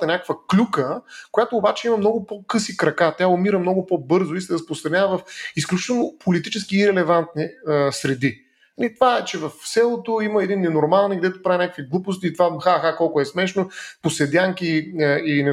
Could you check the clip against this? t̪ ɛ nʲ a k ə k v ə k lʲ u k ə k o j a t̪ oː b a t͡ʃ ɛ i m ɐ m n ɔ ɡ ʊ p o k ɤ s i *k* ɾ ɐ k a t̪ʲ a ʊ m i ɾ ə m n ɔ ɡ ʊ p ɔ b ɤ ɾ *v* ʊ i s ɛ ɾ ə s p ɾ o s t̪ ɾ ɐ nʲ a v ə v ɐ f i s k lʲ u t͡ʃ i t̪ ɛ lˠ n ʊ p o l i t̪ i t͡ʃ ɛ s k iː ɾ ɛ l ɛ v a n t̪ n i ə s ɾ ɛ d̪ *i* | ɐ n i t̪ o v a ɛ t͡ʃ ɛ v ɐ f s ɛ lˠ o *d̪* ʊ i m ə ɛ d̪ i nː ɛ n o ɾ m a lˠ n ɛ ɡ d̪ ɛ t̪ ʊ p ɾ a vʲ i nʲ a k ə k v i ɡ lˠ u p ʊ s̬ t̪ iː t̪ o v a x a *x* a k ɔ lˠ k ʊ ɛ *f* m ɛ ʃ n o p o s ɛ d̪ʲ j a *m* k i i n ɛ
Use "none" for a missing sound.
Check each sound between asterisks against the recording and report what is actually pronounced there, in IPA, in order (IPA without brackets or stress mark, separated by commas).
k, z, i, t̪, x, s, ŋ